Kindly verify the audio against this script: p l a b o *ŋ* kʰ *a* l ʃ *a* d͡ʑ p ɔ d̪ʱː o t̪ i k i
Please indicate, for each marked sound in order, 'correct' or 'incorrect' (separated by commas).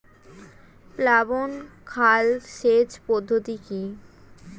incorrect, correct, incorrect